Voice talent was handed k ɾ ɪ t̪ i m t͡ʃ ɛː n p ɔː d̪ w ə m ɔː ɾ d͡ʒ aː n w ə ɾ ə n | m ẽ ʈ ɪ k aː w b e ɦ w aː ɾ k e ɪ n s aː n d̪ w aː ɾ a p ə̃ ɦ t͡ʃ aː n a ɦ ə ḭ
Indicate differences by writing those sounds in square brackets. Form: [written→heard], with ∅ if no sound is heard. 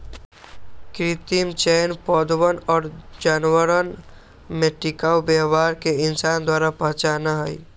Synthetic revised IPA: k ɾ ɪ t̪ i m t͡ʃ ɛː n p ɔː d̪ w ə [m→n] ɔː ɾ d͡ʒ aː n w ə ɾ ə n | m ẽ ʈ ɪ k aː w b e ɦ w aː ɾ k e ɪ n s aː n d̪ w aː ɾ a p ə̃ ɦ t͡ʃ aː n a ɦ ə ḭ